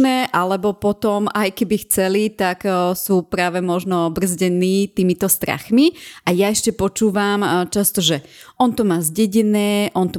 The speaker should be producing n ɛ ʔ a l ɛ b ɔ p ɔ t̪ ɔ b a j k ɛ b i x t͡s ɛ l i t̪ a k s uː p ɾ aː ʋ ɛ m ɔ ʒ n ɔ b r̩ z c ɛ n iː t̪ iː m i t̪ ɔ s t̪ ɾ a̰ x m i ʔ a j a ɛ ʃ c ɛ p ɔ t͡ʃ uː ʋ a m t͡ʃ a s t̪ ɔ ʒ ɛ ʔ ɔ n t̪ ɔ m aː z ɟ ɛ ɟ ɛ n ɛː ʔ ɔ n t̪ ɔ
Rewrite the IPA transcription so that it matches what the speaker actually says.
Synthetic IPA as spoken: n ɛ ʔ a l ɛ b ɔ p ɔ t̪ ɔ m a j k ɛ b i x t͡s ɛ l i t̪ a k s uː p ɾ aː ʋ ɛ m ɔ ʒ n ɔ b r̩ z ɟ ɛ n iː t̪ iː m i t̪ ɔ s t̪ ɾ a̰ x m i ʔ a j a ɛ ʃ c ɛ p ɔ t͡ʃ uː ʋ a m t͡ʃ a s t̪ ɔ ʒ ɛ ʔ ɔ n t̪ ɔ m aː z ɟ ɛ ɟ ɛ n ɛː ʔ ɔ n t̪ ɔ